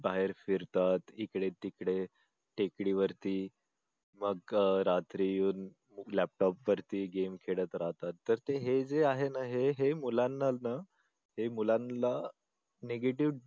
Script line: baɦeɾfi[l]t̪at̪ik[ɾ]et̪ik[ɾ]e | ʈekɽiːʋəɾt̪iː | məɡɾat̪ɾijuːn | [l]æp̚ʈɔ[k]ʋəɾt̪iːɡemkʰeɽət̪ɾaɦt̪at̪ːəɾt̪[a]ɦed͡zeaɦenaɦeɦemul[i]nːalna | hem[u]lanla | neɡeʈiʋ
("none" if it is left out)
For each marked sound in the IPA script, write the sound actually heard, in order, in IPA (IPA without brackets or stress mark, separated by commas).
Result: ɾ, ɽ, ɽ, l, p, e, a, u